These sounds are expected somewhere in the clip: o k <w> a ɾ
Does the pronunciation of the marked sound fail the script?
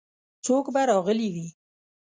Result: yes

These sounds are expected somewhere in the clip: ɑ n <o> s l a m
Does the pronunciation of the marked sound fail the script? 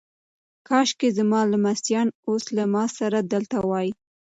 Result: no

